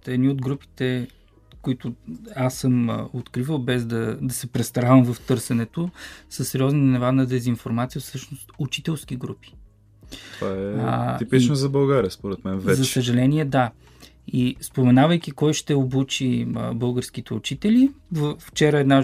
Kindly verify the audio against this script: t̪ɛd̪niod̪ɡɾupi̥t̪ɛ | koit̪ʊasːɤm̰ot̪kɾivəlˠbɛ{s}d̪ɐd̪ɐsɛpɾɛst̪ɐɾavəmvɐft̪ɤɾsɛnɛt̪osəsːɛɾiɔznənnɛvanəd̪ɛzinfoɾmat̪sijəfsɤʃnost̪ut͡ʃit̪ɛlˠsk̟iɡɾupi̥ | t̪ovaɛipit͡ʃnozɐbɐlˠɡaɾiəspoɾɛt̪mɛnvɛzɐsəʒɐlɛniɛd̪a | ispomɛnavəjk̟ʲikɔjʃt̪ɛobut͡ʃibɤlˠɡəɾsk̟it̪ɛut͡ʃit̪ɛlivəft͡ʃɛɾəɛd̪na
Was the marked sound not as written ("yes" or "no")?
yes